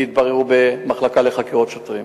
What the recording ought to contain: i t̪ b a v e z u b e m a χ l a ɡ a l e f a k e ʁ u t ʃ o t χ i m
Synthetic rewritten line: i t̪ b a ʁ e ʁ u b e m a χ l a k a l e χ a k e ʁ o t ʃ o t ʁ i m